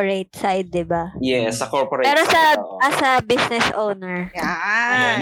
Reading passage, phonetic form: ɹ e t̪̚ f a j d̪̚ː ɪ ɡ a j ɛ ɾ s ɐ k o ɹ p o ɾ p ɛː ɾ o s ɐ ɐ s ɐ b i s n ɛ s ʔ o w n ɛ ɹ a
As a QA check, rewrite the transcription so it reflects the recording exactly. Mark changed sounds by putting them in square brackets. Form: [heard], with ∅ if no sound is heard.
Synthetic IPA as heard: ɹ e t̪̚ [s] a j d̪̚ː ɪ [b] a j ɛ [∅] s ɐ k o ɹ p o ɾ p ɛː ɾ o s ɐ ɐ s ɐ b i s n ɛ s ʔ o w n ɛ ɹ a